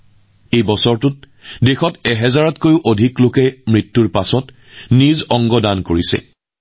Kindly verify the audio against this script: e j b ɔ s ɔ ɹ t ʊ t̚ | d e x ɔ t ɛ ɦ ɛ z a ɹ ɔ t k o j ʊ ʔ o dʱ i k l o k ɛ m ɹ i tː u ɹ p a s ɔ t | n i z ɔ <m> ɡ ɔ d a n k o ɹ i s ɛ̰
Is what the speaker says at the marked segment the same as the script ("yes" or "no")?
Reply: no